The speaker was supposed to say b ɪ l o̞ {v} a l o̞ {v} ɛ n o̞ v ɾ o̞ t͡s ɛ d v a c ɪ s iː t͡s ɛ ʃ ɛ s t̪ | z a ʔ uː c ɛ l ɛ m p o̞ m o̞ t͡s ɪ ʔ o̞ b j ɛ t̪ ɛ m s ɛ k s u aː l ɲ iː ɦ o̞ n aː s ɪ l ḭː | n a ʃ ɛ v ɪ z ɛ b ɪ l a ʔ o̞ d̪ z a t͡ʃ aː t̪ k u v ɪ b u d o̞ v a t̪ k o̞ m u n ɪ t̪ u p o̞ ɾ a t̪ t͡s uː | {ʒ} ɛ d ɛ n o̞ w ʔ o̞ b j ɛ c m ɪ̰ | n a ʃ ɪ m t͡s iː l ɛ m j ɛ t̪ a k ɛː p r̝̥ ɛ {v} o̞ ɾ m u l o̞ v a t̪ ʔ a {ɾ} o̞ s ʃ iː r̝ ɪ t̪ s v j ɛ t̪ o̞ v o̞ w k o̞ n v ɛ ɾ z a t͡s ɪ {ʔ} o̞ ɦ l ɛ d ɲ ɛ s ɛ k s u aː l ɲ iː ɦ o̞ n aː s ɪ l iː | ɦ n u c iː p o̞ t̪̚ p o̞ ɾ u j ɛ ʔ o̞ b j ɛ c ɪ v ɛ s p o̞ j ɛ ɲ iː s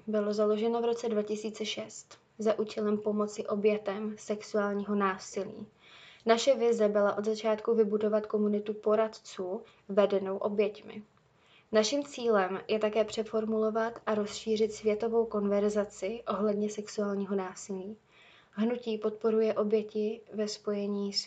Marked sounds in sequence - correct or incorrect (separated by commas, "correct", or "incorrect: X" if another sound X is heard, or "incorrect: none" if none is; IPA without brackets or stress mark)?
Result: incorrect: z, incorrect: ʒ, incorrect: v, incorrect: f, correct, correct